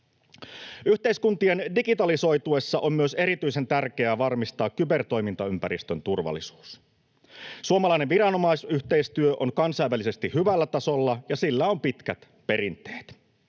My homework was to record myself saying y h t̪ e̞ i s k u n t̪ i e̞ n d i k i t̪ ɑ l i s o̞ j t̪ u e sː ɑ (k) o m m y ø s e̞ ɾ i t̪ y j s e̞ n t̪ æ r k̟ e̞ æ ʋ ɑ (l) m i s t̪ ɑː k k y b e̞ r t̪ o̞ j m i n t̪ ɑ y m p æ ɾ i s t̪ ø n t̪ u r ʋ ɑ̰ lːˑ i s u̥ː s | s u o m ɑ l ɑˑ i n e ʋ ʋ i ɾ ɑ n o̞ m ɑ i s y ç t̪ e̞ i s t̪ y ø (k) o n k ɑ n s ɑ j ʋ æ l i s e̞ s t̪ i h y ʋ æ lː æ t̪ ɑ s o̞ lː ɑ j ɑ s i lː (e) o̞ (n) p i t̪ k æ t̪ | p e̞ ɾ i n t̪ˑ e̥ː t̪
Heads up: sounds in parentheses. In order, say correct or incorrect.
incorrect, incorrect, incorrect, incorrect, incorrect

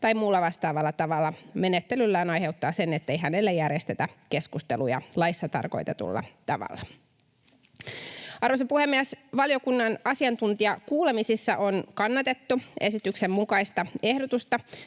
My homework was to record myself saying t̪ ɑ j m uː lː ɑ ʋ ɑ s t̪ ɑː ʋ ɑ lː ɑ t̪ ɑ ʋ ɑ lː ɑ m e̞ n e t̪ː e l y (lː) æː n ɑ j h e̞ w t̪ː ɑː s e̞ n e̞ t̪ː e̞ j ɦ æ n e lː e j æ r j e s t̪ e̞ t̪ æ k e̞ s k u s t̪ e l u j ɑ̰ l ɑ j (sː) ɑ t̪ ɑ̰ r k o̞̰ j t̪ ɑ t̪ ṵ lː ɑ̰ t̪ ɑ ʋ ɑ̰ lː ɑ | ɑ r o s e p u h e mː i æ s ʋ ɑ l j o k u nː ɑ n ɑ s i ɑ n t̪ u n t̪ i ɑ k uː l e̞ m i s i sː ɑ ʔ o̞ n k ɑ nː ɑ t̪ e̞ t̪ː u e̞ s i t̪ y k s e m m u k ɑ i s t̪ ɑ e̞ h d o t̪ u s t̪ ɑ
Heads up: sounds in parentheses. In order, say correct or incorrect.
correct, correct

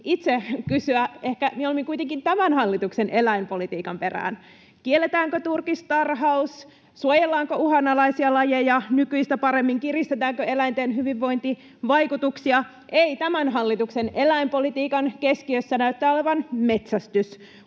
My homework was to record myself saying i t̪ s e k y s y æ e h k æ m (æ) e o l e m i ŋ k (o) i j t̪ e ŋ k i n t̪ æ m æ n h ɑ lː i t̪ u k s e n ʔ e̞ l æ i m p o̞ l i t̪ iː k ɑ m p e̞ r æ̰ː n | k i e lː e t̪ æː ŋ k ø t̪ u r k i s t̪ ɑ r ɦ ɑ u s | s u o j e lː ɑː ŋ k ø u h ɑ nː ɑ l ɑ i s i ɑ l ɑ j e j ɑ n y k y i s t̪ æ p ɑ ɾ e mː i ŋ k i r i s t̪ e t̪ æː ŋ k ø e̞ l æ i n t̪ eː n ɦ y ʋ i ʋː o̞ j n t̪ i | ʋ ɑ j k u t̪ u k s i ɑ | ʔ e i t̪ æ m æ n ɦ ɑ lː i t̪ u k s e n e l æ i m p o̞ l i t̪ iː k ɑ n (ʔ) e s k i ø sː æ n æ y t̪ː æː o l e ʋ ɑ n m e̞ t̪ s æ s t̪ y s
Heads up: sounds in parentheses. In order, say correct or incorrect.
incorrect, incorrect, incorrect

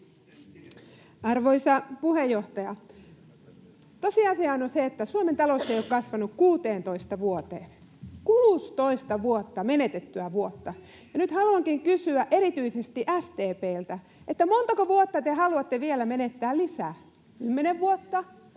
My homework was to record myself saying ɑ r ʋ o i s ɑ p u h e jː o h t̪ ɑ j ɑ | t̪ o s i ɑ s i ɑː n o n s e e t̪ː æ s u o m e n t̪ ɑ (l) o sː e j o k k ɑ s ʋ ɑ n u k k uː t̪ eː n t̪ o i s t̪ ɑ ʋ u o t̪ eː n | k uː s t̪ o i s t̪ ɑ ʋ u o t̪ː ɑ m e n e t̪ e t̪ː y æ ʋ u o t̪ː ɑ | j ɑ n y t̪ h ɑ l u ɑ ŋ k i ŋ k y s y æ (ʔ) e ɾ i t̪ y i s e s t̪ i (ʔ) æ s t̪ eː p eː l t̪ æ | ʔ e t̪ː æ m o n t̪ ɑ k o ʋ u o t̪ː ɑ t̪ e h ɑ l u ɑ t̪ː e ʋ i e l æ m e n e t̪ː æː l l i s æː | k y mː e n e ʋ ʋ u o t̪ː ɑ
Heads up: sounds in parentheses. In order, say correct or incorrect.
correct, correct, correct

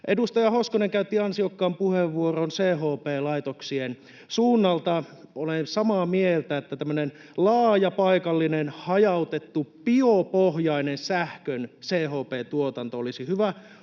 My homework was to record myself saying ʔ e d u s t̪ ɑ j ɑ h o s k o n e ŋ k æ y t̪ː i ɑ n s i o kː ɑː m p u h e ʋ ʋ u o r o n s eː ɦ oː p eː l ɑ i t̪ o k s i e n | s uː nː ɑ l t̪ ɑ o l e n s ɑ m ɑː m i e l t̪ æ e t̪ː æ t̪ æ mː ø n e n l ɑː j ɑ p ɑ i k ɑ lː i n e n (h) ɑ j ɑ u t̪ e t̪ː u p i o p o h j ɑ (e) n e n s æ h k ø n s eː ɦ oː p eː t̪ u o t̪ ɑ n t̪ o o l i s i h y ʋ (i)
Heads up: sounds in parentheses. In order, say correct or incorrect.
correct, incorrect, incorrect

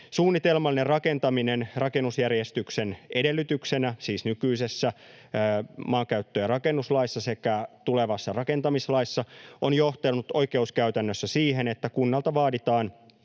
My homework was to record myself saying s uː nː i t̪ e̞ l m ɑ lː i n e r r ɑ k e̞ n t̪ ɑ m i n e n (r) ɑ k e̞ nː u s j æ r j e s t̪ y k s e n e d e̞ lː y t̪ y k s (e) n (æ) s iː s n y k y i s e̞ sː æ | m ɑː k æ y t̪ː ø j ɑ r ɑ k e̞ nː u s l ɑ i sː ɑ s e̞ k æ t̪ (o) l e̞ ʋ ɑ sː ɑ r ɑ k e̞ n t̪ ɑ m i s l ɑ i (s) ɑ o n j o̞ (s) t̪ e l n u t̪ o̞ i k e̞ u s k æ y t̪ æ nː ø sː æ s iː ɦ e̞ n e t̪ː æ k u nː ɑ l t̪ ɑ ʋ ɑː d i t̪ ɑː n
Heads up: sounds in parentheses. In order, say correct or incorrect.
correct, correct, correct, incorrect, incorrect, incorrect

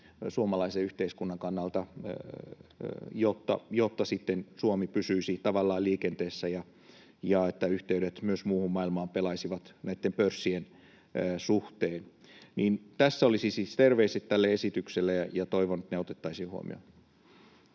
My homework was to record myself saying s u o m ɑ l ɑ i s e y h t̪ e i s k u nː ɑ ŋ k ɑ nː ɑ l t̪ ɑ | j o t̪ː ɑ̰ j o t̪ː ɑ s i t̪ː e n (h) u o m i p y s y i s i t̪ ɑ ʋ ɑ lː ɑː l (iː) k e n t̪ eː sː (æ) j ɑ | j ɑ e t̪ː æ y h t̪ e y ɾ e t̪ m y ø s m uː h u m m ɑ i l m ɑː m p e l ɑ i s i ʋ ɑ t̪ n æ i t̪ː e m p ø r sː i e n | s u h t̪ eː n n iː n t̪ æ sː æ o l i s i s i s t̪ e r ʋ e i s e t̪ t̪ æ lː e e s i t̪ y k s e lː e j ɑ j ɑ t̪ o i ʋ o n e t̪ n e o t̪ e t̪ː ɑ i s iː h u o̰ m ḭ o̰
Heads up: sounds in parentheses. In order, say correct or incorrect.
incorrect, correct, correct

